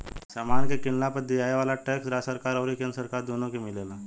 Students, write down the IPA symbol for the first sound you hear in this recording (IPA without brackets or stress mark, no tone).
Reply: s